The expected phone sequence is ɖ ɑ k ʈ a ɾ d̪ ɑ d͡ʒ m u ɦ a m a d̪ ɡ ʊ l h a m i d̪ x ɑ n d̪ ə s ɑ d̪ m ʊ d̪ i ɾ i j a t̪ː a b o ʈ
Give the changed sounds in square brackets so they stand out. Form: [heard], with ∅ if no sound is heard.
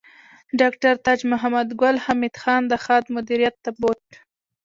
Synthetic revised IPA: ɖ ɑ k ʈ a ɾ [t̪] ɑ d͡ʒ m [ʊ] ɦ a m a d̪ ɡ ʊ l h a m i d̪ x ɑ n d̪ ə [x] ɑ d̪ m ʊ d̪ i ɾ i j a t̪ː a b o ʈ